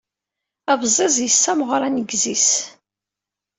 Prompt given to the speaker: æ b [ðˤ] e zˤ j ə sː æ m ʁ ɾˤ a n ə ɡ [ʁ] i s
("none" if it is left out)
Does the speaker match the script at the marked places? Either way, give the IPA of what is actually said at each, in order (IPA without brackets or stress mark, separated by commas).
zˤ, z